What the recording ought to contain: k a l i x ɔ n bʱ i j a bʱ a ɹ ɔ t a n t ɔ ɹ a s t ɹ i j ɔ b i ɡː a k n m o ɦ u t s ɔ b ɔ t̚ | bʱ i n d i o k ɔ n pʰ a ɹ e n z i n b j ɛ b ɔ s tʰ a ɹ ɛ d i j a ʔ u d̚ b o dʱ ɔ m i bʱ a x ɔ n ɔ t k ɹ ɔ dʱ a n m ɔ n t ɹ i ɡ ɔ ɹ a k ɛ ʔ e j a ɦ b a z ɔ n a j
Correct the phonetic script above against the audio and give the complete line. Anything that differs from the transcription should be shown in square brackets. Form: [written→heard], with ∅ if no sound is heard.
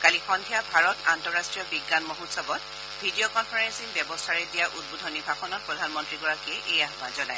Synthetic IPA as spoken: k a l i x ɔ n [bʱ→dʱ] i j a bʱ a ɹ ɔ t a n t ɔ ɹ a s t ɹ i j ɔ b i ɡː a [k→∅] n m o ɦ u t s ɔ b ɔ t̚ | bʱ i [n→∅] d i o k ɔ n pʰ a ɹ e n [z→s] i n b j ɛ b ɔ s tʰ a ɹ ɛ d i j a ʔ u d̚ b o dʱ ɔ [m→n] i bʱ a x ɔ n ɔ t [k→p] ɹ ɔ dʱ a n m ɔ n t ɹ i ɡ ɔ ɹ a k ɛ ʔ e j a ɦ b a z ɔ n a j